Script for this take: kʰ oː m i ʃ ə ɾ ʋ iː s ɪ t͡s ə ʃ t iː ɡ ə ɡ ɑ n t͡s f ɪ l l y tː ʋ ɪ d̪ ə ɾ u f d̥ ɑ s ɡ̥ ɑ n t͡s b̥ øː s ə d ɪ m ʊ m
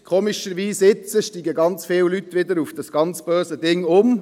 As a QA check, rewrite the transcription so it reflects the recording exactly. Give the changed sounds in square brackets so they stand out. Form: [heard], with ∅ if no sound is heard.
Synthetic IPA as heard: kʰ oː m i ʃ ə ɾ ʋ iː s ɪ t͡s ə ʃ t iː ɡ ə ɡ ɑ n t͡s f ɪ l l y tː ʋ ɪ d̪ ə ɾ u f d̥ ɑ s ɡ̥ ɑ n t͡s b̥ øː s ə d ɪ [ŋ] ʊ m